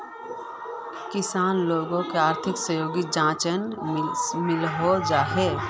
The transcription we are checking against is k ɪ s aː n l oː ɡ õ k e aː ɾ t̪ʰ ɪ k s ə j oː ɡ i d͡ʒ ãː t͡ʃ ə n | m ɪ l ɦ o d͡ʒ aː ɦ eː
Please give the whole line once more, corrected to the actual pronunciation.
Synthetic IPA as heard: k ɪ s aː n l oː ɡ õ k e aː ɾ t̪ʰ ɪ k s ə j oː ɡ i d͡ʒ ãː t͡ʃ ə n | m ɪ l ɦ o d͡ʒ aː ɦ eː

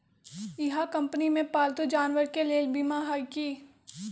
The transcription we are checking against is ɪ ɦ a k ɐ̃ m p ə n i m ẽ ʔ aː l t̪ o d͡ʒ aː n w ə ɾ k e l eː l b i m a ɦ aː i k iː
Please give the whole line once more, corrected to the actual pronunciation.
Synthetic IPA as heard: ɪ ɦ a k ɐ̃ m p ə n i m ẽ p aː l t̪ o d͡ʒ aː n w ə ɾ k e l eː l b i m a ɦ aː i k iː

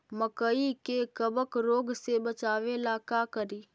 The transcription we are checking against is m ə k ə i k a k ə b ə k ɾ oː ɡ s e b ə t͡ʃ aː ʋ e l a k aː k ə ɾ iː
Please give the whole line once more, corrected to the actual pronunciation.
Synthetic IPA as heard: m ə k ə i k e k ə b ə k ɾ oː ɡ s e b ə t͡ʃ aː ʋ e l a k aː k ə ɾ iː

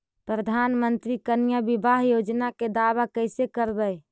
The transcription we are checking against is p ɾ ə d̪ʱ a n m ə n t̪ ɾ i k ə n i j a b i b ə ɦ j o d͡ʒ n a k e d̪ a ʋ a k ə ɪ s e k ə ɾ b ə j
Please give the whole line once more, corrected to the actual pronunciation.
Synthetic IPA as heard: p ɾ ə d̪ʱ a n m ə n t̪ ɾ i k ə n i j a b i b a ɦ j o d͡ʒ n a k e d̪ a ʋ a k ə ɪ s e k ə ɾ b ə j

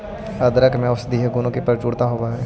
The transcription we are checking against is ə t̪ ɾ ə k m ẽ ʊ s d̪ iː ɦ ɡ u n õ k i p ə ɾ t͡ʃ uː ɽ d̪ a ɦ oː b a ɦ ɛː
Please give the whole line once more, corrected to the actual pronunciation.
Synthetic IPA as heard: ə d̪ ɾ ə k m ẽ ʊ s d̪ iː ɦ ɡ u n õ k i p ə ɾ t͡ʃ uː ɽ t̪ a ɦ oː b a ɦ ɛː

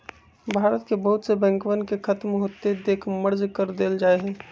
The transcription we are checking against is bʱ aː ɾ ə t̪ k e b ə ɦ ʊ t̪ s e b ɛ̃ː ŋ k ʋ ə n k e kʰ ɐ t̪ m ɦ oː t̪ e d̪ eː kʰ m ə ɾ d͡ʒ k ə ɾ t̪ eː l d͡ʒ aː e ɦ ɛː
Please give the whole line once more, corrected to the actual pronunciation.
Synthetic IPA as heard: bʱ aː ɾ ə t̪ k e b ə ɦ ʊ t̪ s e b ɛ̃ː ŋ k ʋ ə n k e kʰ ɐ t̪ m ɦ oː t̪ e d̪ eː kʰ m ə ɾ d͡ʒ k ə ɾ d̪ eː l d͡ʒ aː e ɦ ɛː

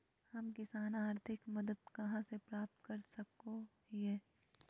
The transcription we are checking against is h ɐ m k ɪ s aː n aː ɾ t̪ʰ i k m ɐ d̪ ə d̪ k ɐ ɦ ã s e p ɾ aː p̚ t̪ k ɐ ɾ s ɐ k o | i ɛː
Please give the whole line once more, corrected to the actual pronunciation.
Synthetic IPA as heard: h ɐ m k ɪ s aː n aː ɾ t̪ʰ ɪ k m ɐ d̪ ə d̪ k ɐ ɦ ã s e p ɾ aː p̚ t̪ k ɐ ɾ s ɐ k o | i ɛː

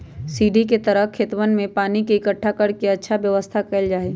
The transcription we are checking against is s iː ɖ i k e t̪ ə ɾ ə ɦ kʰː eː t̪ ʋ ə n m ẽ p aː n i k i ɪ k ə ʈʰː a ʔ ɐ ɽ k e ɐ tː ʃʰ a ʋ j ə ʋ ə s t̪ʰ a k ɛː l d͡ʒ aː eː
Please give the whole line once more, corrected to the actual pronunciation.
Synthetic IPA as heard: s iː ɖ i k e t̪ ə ɾ ə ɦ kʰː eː t̪ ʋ ə n m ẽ p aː n i k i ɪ k ə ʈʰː a k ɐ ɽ k e ɐ tː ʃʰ a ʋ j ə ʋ ə s t̪ʰ a k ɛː l d͡ʒ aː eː

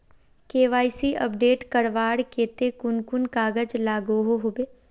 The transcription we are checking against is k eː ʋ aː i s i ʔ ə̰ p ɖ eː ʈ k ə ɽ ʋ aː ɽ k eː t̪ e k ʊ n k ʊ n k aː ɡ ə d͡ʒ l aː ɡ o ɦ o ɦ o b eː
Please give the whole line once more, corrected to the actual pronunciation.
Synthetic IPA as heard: k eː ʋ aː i s i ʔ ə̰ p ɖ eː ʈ k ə ɽ ʋ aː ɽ k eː t̪ e k ʊ n k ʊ n k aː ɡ ə d͡ʒ l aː ɡ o ɦ o ɦ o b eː

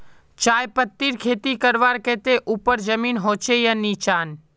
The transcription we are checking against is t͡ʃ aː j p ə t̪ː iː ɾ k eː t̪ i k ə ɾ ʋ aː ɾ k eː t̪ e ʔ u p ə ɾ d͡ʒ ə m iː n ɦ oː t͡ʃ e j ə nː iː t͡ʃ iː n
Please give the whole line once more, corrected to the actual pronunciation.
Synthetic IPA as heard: t͡ʃ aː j p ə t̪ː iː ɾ kʰ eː t̪ i k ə ɾ ʋ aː ɾ k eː t̪ e ʔ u p ə ɾ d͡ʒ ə m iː n ɦ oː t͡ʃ e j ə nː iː t͡ʃ aː n

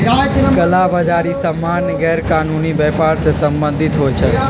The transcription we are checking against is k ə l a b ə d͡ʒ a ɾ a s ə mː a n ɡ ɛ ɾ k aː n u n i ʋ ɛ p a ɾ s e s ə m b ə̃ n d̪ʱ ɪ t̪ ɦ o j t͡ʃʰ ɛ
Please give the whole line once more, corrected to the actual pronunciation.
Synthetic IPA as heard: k ə l a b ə d͡ʒ a ɾ i s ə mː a n ɡ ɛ ɾ k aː n u n i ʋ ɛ p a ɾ s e s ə m b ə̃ n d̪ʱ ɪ t̪ ɦ o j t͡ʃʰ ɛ

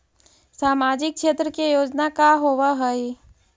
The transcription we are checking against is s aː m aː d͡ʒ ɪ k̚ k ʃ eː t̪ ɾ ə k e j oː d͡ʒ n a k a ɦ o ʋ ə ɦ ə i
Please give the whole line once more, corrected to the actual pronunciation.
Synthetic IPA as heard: s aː m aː d͡ʒ ɪ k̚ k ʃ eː t̪ ɾ ə k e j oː d͡ʒ n a k a ɦ o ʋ a ɦ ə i

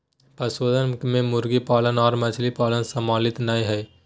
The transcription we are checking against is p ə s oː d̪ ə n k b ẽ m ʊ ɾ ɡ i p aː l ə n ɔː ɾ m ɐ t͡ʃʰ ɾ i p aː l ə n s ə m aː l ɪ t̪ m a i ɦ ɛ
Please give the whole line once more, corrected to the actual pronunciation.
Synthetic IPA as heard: p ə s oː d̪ ə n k m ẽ m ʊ ɾ ɡ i p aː l ə n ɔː ɾ m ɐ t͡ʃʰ l i p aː l ə n s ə m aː l ɪ t̪ n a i ɦ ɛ

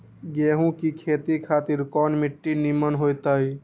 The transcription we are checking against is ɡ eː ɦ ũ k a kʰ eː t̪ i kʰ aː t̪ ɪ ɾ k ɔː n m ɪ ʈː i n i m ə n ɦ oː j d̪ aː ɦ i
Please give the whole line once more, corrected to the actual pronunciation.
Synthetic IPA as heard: ɡ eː ɦ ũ k i kʰ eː t̪ i kʰ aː t̪ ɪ ɾ k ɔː n m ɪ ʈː i n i m ə n ɦ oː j t̪ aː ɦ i

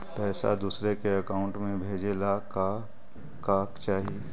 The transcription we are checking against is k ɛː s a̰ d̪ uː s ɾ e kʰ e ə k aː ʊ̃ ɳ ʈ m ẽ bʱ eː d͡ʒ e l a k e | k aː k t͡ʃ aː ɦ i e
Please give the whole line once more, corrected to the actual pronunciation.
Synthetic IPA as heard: p ɛː s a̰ d̪ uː s ɾ e k e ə k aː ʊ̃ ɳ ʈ m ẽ bʱ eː d͡ʒ e l a k a | k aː k t͡ʃ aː ɦ i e

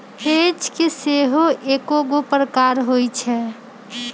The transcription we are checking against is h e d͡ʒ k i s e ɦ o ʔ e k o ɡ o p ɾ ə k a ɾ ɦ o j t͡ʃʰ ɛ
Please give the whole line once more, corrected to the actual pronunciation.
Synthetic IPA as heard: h e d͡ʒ k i s e ɦ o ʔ e k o ɡ o p ɾ ə k a ɾ ɦ o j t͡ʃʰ ɛ

